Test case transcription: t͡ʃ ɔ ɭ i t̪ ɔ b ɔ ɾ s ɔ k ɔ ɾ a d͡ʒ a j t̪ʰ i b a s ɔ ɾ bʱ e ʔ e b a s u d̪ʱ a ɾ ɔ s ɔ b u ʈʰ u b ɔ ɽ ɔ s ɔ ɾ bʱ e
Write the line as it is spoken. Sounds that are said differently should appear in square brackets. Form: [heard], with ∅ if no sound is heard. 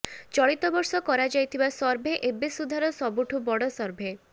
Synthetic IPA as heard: t͡ʃ ɔ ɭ i t̪ ɔ b ɔ ɾ s ɔ k ɔ ɾ a d͡ʒ a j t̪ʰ i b a s ɔ ɾ bʱ e ʔ e b [e] s u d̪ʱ a ɾ ɔ s ɔ b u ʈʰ u b ɔ ɽ ɔ s ɔ ɾ bʱ e